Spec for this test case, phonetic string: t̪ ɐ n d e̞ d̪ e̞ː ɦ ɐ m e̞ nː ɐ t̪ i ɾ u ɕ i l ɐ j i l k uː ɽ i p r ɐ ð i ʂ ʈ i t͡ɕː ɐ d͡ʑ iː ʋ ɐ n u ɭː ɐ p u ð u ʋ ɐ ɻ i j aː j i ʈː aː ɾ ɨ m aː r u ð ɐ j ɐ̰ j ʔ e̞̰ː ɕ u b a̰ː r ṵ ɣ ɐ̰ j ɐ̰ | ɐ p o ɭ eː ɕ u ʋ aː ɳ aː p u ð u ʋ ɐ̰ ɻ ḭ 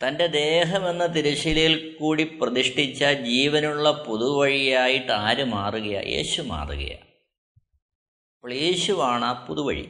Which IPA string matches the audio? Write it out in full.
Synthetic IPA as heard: t̪ ɐ n d e̞ d̪ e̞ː ɦ ɐ m e̞ nː ɐ t̪ i ɾ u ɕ i l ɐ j i l k uː ɽ i p r ɐ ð i ʂ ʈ i t͡ɕː ɐ d͡ʑ iː ʋ ɐ n u ɭː ɐ p u ð u ʋ ɐ ɻ i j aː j i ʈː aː ɾ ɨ m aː r u ɣ ɐ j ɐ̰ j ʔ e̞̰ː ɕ u m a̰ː r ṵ ɣ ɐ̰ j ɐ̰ | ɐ p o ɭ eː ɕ u ʋ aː ɳ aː p u ð u ʋ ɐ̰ ɻ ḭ